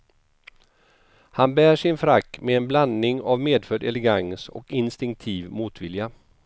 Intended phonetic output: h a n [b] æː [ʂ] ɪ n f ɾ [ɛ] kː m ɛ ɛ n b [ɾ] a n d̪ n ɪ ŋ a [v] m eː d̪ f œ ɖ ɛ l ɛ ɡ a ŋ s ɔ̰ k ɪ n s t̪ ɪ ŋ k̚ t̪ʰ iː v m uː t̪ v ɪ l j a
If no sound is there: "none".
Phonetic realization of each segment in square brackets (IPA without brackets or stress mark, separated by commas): b, ʂ, a, l, v